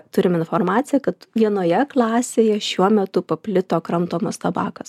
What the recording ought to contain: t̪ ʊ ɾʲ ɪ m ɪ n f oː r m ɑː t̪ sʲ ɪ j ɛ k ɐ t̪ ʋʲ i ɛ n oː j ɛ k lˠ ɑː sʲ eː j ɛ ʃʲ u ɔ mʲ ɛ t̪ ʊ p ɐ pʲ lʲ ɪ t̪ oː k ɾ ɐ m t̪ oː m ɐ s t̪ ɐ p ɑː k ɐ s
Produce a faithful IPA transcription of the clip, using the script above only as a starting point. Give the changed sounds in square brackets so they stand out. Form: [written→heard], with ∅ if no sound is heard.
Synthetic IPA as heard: t̪ ʊ ɾʲ ɪ m ɪ n f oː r m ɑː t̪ sʲ ɪ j ɛ k ɐ t̪ ʋʲ i ɛ n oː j ɛ k lˠ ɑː sʲ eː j ɛ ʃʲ u ɔ mʲ ɛ t̪ ʊ p ɐ pʲ lʲ ɪ t̪ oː k ɾ ɐ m t̪ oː m ɐ s t̪ ɐ [p→b] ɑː k ɐ s